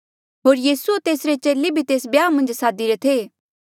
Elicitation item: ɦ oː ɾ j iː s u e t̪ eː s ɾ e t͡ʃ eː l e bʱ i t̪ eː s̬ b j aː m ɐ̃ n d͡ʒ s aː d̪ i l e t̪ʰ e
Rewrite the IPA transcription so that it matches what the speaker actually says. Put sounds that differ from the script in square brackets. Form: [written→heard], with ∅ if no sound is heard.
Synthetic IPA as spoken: ɦ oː ɾ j iː s u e t̪ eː s ɾ e t͡ʃ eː l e bʱ i t̪ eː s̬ b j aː m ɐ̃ n d͡ʒ s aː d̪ i [l→ɾ] e t̪ʰ e